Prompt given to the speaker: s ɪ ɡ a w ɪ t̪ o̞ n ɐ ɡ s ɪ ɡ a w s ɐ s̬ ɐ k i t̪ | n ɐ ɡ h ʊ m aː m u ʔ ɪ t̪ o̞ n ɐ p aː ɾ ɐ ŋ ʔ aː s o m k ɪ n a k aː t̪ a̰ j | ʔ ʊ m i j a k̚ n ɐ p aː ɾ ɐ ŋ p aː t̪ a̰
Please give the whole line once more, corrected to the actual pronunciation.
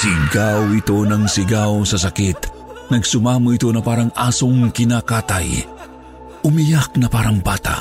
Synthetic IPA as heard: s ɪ ɡ a w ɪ t̪ o̞ n ɐ ŋ s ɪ ɡ a w s ɐ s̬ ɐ k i t̪ | n ɐ ɡ s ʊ m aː m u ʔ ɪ t̪ o̞ n ɐ p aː ɾ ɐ ŋ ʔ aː s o ŋ k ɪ n a k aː t̪ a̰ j | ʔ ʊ m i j a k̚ n ɐ p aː ɾ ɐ ŋ b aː t̪ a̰